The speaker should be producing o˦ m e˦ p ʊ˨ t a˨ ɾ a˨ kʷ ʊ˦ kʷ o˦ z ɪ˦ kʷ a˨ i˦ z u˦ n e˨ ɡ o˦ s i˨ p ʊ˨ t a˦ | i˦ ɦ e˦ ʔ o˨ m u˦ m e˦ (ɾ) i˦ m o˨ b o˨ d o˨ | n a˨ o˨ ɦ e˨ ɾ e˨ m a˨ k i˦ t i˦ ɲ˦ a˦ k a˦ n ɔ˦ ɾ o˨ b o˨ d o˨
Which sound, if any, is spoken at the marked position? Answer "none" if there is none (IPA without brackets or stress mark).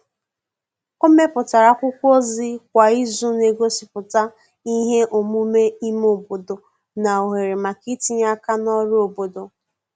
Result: none